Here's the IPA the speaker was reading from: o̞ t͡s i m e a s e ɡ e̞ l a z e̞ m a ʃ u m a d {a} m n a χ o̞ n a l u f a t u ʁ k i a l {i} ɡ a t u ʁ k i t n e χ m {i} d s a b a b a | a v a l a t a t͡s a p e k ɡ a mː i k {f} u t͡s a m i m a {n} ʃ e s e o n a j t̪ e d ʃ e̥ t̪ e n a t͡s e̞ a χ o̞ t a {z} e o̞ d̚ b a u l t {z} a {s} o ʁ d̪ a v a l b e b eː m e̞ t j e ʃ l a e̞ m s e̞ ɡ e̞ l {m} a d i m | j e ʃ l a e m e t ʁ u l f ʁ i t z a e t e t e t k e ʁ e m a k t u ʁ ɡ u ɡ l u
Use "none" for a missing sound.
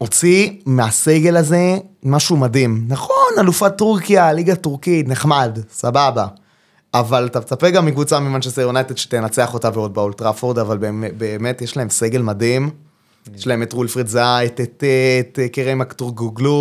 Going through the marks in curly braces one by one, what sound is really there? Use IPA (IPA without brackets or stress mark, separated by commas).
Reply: i, i, a, v, n, v, ʁ, f, m